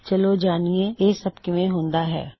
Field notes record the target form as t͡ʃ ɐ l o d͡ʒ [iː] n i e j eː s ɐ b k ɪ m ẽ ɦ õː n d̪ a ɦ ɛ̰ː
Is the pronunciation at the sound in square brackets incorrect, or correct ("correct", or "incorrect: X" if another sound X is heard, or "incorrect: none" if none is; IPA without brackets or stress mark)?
incorrect: aː